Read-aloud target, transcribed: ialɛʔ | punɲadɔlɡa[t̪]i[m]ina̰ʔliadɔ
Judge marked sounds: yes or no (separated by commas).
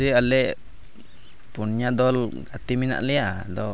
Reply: yes, yes